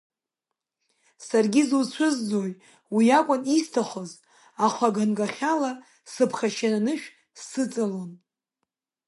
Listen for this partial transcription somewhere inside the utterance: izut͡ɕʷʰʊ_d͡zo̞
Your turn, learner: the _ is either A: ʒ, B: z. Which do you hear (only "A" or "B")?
B